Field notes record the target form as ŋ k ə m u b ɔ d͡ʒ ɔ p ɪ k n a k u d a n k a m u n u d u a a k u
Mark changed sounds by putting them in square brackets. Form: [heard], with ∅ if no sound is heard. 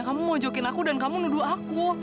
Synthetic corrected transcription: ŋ k [a] m u [m] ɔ d͡ʒ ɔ [k] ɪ [∅] n a k u d a n k a m u n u d u a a k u